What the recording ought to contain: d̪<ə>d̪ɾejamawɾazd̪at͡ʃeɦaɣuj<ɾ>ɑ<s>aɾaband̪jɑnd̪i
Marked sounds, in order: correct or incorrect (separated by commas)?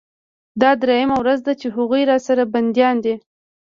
incorrect, correct, correct